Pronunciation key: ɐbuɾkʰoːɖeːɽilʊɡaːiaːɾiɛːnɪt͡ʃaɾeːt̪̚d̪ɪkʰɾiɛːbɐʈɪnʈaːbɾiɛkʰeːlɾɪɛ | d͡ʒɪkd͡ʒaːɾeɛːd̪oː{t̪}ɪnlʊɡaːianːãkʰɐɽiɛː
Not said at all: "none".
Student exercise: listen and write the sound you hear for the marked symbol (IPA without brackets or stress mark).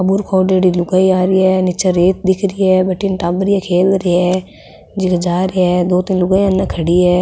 t̪